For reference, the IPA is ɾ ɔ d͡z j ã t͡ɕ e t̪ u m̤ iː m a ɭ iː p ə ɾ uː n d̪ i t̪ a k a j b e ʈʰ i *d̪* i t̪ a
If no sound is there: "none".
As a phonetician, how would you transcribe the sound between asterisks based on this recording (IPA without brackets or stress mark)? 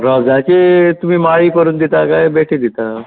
d̪